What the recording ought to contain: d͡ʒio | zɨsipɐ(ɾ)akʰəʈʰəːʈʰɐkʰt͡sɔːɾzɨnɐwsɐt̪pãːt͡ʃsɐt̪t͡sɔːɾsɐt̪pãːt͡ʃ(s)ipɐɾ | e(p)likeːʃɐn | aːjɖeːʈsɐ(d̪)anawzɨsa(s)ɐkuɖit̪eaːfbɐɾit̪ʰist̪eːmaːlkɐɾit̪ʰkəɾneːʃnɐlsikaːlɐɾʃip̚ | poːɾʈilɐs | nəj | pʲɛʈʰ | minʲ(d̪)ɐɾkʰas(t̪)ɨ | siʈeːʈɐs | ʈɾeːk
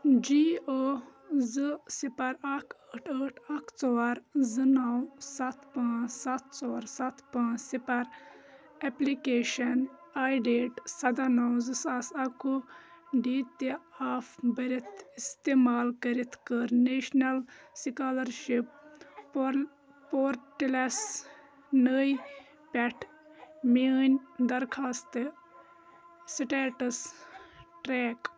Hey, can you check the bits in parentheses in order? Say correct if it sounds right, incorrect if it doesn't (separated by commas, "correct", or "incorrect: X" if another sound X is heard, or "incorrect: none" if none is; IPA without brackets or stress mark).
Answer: correct, correct, correct, correct, correct, correct, correct